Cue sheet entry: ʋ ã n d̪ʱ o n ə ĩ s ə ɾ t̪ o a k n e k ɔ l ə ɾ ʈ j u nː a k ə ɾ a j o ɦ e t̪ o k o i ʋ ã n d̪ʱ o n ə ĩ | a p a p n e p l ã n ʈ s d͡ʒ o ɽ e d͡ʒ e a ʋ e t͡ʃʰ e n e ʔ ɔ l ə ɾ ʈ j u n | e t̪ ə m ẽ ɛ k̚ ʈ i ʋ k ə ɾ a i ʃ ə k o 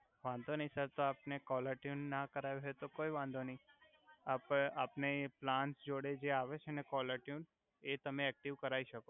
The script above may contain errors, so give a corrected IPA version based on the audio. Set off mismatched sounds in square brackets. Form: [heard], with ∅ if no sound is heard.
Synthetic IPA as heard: ʋ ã n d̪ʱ o n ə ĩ s ə ɾ t̪ o a [p] n e k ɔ l ə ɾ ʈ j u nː a k ə ɾ a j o ɦ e t̪ o k o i ʋ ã n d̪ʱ o n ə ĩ | a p a p n e p l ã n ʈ s d͡ʒ o ɽ e d͡ʒ e a ʋ e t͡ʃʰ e n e [k] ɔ l ə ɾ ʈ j u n | e t̪ ə m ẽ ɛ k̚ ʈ i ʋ k ə ɾ a i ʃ ə k o